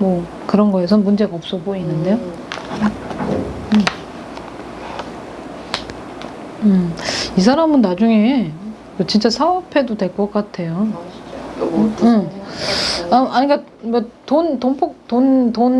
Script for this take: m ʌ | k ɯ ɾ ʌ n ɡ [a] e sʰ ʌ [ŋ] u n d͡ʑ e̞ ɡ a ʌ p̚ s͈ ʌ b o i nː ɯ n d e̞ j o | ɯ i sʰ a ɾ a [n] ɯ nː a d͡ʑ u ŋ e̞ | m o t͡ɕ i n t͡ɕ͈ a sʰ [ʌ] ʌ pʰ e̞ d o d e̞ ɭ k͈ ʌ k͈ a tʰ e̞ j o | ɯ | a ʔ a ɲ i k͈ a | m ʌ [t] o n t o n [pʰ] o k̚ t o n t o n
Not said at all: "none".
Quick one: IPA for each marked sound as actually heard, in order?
ʌ, m, m, a, t, pʰ

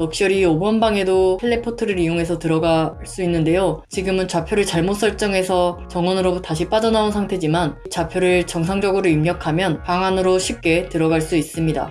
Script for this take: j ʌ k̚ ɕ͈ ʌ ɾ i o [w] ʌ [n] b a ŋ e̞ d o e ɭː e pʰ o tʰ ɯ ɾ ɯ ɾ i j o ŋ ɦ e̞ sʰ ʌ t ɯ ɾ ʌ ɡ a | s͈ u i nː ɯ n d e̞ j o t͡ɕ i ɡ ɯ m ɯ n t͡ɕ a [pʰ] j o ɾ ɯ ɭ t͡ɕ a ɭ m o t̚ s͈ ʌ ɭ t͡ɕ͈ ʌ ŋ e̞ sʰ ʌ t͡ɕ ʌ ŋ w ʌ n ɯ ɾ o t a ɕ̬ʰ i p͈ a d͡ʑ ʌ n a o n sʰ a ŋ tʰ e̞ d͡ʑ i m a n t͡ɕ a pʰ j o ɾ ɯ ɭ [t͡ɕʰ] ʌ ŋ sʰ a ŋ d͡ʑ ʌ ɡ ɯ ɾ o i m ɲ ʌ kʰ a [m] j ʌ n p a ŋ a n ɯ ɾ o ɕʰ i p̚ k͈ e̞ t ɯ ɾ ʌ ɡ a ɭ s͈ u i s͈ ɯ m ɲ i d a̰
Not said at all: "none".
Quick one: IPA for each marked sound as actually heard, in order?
b, n, pʰ, t͡ɕ, m

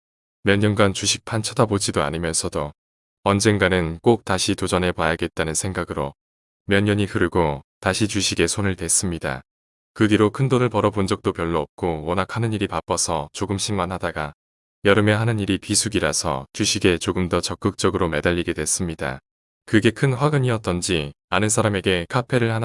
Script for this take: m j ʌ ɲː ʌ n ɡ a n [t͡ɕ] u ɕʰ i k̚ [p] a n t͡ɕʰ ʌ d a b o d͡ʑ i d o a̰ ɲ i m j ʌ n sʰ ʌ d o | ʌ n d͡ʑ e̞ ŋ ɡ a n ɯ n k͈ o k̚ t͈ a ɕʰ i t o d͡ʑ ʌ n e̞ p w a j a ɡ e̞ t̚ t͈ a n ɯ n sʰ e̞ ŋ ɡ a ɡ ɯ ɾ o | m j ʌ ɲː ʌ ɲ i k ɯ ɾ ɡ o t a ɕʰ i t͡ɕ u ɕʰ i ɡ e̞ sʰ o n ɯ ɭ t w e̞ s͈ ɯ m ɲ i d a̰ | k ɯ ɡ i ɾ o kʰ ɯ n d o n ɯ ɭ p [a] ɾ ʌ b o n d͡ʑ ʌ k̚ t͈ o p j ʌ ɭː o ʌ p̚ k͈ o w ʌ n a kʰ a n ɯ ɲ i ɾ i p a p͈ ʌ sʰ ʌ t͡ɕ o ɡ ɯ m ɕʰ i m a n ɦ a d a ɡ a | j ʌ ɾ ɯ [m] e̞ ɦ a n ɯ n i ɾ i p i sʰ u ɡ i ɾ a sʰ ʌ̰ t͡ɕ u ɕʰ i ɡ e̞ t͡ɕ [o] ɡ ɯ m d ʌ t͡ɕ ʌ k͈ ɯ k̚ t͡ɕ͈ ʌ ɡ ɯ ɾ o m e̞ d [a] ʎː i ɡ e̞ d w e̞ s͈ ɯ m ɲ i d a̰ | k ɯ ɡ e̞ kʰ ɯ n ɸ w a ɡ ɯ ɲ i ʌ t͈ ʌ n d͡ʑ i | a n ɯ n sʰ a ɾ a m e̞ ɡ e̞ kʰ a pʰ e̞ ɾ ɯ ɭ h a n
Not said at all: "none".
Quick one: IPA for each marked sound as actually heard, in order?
t͡ɕ, pʰ, ʌ, m, o, a

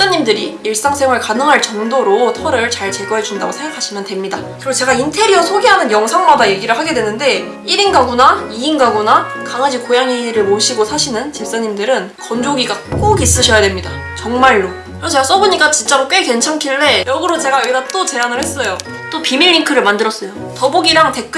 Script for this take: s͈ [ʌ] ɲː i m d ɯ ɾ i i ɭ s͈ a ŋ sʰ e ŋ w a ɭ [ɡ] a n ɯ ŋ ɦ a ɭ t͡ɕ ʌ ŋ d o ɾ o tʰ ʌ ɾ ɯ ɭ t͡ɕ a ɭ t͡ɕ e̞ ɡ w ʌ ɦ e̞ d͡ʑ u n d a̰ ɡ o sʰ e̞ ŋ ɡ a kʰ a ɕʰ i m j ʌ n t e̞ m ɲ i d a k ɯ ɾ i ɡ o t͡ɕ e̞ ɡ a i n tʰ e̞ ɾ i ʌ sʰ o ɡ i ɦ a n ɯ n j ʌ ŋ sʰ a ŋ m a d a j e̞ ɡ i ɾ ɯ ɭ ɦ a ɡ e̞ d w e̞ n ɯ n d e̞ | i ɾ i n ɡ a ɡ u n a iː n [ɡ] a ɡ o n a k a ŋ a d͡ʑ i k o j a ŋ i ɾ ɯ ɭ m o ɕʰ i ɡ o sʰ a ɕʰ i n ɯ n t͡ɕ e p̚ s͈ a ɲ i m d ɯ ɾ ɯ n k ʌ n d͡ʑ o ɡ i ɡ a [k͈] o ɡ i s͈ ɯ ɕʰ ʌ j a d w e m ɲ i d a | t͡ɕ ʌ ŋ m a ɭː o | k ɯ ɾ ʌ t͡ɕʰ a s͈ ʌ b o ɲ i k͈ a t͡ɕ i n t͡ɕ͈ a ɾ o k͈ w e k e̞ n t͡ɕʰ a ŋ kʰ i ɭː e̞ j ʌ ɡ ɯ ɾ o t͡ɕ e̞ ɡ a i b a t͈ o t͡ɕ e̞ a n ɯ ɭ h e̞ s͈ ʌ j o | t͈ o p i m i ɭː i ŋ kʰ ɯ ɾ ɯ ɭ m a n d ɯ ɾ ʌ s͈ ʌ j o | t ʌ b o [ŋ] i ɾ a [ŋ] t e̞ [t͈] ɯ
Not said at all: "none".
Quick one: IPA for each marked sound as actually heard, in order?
a, k, ɡ, k͈, ɡ, ŋ, k͈

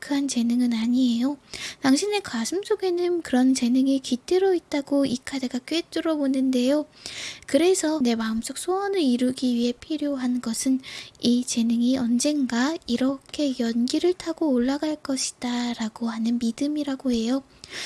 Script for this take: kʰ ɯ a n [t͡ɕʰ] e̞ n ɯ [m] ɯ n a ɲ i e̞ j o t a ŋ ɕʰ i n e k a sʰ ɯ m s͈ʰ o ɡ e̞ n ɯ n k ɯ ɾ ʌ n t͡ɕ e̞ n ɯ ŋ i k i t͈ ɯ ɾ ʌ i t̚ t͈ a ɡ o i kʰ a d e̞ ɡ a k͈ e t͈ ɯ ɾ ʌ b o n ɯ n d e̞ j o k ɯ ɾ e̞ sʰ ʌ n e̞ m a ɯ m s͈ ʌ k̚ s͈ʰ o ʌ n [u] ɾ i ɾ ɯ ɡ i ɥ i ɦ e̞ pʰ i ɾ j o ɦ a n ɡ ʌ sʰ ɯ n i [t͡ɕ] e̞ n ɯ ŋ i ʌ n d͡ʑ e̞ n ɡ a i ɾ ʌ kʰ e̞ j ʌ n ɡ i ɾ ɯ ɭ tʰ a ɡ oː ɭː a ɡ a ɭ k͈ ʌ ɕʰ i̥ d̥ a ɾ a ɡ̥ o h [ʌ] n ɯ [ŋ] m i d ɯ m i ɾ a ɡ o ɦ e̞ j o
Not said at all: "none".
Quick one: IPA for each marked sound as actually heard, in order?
t͡ɕ, ŋ, ɯ, t͡ɕ, a, n

